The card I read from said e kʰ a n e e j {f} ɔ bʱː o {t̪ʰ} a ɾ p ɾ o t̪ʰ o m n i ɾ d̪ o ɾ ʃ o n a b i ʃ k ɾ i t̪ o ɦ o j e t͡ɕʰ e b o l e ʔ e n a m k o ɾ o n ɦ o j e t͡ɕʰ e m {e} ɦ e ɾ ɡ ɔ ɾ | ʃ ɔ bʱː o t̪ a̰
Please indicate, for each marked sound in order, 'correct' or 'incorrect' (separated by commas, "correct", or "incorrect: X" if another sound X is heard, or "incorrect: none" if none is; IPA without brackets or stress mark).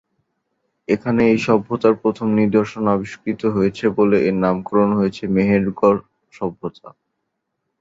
incorrect: ʃ, incorrect: t̪, correct